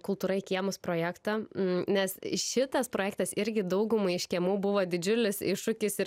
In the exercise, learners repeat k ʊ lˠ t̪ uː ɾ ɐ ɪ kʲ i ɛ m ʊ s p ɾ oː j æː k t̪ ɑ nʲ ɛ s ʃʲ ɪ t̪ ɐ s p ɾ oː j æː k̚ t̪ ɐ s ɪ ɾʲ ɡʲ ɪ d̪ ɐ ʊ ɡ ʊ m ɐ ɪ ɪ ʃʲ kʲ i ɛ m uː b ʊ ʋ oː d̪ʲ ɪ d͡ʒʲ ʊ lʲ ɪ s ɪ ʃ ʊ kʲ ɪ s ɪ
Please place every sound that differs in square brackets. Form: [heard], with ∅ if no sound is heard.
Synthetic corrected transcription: k ʊ lˠ t̪ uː ɾ ɐ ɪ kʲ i ɛ m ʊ s p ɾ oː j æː k t̪ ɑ nʲ ɛ s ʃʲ ɪ t̪ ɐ s p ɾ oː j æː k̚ t̪ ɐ s ɪ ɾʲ ɡʲ ɪ d̪ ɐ ʊ ɡ ʊ m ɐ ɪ ɪ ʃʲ kʲ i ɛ m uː b ʊ ʋ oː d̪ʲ ɪ d͡ʒʲ ʊ lʲ ɪ s ɪ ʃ ʊ kʲ ɪ s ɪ